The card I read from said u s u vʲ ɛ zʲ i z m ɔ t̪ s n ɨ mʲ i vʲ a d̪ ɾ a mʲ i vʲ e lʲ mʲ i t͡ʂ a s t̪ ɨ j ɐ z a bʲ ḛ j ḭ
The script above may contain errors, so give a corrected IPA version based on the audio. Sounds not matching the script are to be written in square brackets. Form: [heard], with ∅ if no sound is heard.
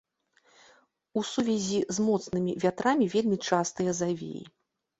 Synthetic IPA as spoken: u s u vʲ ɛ zʲ i z m ɔ t̪ s n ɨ mʲ i vʲ a [t̪] ɾ a mʲ i vʲ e lʲ mʲ i t͡ʂ a s t̪ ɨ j ɐ z a [vʲ] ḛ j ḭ